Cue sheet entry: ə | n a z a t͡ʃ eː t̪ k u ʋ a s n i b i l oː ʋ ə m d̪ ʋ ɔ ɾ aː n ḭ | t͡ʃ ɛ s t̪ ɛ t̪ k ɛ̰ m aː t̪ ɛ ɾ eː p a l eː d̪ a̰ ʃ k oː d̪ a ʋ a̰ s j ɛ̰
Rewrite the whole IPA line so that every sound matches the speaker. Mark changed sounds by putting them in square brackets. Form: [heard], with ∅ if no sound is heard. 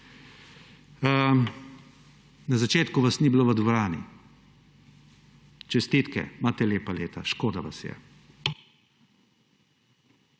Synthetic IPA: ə | n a z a t͡ʃ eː t̪ k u ʋ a s n i b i l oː ʋ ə [∅] d̪ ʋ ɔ ɾ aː n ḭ | t͡ʃ ɛ s t̪ [i] t̪ k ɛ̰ m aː t̪ ɛ [l] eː p a l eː [t̪] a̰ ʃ k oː d̪ a ʋ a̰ s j ɛ̰